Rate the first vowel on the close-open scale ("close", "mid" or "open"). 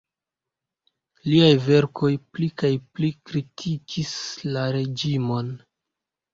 close